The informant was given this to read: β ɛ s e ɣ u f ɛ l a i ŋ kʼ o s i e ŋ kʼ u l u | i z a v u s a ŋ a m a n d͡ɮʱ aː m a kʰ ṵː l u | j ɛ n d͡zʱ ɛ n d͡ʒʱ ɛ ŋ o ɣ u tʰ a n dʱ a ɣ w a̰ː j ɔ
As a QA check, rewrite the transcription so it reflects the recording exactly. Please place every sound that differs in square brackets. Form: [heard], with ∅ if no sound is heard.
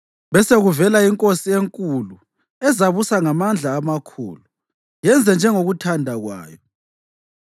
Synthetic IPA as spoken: β ɛ s e ɣ u [v] ɛ l a i ŋ kʼ o s i e ŋ kʼ u l u | [ɛ] z a [β] u s a ŋ a m a n d͡ɮʱ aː m a kʰ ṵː l u | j ɛ n d͡zʱ ɛ n d͡ʒʱ ɛ ŋ o ɣ u tʰ a n dʱ a ɣ w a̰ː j ɔ